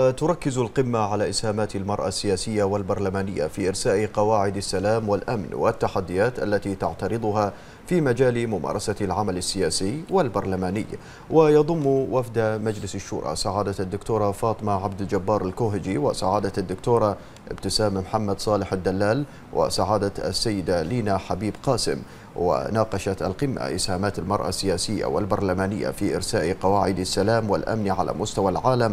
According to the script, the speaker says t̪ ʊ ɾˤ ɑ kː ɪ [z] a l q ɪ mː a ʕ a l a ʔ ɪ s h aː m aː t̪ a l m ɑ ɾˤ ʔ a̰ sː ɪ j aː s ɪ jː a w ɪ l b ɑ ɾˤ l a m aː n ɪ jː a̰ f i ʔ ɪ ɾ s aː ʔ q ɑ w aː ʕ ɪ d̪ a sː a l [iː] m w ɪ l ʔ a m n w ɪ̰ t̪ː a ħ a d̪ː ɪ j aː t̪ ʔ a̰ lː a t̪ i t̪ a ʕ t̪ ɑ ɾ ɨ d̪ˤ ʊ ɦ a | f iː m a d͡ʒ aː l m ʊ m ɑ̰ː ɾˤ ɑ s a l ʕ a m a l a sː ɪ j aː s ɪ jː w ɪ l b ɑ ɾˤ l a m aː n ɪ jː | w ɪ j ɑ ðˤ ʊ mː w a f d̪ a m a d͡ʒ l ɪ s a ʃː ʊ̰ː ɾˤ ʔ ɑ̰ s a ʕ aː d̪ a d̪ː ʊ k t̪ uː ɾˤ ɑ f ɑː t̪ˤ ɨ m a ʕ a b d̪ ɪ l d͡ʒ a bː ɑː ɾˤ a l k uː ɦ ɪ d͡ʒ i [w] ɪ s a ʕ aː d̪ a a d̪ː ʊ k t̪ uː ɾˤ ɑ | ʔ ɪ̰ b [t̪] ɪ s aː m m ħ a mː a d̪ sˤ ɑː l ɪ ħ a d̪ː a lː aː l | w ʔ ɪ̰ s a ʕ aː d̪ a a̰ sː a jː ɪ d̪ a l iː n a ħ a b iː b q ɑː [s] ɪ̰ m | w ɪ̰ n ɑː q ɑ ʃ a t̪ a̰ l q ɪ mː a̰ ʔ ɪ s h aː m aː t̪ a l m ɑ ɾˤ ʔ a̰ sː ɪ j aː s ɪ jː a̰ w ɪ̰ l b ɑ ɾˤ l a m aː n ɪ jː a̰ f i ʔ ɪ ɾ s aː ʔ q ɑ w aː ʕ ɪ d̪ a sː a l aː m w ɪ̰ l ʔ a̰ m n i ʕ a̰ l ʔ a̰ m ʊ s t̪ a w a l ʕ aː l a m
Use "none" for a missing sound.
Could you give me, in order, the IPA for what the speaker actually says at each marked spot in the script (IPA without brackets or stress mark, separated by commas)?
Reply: z, aː, w, t̪, s